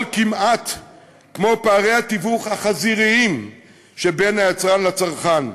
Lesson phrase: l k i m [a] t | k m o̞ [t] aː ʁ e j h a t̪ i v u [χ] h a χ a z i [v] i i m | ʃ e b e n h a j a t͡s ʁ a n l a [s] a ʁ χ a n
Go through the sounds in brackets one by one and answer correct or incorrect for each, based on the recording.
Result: correct, incorrect, correct, incorrect, incorrect

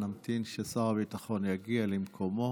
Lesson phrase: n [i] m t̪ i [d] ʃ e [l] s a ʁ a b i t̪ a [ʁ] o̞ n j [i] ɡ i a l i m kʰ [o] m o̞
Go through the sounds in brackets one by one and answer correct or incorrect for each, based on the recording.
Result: incorrect, incorrect, incorrect, incorrect, incorrect, correct

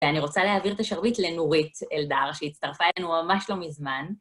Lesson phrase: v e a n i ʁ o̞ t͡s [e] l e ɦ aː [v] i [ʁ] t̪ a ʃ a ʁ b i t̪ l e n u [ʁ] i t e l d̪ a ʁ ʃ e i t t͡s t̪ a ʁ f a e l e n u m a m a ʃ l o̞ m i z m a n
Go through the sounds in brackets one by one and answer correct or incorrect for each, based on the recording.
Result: incorrect, correct, correct, correct

